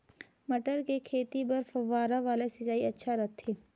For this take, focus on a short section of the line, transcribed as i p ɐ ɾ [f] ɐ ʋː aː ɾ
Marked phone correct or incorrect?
correct